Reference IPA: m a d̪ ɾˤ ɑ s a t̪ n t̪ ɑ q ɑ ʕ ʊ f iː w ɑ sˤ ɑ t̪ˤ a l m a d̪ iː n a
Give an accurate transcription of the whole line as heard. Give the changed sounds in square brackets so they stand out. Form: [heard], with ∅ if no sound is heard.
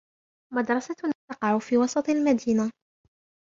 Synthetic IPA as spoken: m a d̪ ɾˤ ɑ s a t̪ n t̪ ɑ q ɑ ʕ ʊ f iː w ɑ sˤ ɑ t̪ˤ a l m a d̪ iː n a